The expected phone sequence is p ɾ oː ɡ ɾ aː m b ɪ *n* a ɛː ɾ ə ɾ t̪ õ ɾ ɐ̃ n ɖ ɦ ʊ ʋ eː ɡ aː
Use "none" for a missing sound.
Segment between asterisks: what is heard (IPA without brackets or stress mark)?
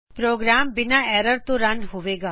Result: n